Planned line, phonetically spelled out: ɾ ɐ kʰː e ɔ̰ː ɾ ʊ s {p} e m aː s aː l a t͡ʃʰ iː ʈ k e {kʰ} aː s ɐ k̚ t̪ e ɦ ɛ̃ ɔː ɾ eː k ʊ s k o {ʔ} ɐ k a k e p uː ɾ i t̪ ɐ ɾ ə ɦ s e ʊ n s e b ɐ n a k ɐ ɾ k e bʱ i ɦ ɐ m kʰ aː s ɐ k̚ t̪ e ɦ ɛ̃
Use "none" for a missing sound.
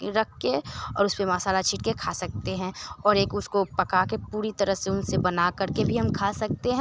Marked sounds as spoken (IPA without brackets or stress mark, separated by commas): p, kʰ, p